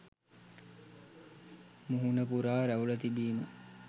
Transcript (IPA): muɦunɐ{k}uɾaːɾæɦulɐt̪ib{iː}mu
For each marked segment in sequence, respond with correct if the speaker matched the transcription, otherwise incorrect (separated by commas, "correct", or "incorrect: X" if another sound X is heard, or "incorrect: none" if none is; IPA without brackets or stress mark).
incorrect: p, correct